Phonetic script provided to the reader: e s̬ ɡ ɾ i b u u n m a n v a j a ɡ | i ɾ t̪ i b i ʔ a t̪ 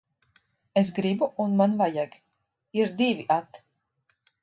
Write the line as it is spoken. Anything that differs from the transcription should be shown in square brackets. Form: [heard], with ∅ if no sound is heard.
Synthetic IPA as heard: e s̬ ɡ ɾ i b u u n m a n v a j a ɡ | i ɾ [d̪] i [v] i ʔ a t̪